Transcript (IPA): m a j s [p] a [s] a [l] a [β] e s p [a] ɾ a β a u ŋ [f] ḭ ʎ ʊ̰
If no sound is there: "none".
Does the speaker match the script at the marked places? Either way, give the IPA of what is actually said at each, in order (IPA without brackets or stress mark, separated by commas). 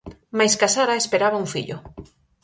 k, s, ɾ, none, e, f